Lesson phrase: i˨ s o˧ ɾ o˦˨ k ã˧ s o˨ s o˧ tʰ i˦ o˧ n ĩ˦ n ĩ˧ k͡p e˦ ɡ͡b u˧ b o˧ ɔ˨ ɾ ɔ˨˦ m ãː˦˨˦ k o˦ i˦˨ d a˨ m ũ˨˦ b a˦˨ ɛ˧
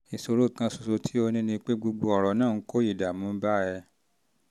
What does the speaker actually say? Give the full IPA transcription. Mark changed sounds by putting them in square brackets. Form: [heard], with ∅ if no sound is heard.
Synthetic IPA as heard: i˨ s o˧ ɾ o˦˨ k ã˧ s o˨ s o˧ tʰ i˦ o˧ n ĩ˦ n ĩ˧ k͡p e˦ ɡ͡b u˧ [ɡ͡b] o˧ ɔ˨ ɾ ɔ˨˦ [n] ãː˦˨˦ k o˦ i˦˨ d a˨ m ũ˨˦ b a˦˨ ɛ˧